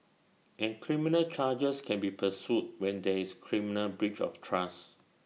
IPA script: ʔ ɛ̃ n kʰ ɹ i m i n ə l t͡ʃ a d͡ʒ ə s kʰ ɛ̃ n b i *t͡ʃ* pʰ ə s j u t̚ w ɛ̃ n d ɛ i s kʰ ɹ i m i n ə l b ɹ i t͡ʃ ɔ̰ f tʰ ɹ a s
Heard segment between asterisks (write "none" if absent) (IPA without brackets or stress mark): none